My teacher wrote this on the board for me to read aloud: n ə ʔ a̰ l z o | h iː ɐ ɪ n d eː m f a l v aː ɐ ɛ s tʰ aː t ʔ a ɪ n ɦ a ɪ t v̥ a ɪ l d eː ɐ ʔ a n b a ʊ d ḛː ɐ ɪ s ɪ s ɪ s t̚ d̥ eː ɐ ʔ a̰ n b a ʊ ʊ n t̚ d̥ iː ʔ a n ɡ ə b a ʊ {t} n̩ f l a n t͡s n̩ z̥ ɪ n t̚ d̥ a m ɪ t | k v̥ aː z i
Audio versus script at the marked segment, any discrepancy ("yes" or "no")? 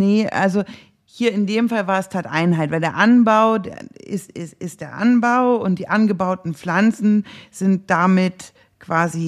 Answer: no